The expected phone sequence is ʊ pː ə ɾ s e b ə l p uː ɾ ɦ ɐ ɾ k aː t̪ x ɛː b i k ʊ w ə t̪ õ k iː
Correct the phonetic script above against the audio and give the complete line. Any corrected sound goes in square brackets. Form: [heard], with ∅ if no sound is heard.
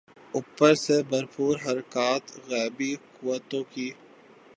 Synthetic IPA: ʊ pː ə ɾ s e b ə [ɾ] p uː ɾ ɦ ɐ ɾ k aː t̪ [ɣ] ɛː b i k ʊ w ə t̪ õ k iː